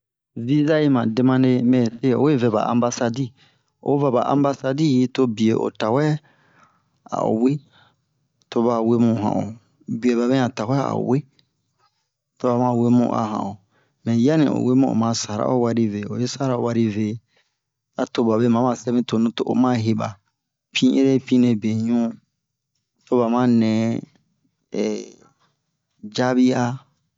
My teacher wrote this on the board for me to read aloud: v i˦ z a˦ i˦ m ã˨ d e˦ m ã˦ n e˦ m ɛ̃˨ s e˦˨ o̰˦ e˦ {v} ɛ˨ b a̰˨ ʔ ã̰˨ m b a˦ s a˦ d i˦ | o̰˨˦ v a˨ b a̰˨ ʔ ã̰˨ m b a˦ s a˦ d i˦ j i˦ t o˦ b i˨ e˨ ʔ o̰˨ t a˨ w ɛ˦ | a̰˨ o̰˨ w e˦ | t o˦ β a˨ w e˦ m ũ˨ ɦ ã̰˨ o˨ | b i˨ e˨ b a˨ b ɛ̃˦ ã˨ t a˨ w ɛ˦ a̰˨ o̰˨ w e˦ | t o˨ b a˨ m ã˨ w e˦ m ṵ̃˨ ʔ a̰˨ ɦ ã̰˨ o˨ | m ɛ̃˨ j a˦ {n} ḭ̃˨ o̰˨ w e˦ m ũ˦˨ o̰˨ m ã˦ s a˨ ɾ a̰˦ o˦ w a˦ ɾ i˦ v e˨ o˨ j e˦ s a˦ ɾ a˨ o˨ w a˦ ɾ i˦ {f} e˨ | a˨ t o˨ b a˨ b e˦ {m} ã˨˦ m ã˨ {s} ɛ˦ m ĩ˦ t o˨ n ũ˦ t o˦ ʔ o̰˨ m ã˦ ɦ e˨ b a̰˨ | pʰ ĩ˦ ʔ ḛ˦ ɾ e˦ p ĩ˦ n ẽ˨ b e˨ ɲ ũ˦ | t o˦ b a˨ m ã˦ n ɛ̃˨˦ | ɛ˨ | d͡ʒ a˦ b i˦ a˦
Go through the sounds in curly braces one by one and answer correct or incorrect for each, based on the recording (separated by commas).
correct, correct, incorrect, correct, correct